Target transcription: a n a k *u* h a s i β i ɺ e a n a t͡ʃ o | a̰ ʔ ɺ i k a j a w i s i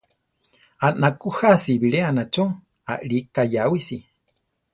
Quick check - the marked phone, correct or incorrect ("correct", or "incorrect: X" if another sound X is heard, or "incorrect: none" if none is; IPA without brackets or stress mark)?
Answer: correct